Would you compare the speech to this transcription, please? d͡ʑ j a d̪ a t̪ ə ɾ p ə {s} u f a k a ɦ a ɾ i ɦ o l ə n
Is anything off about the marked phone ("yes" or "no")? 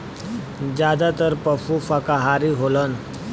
yes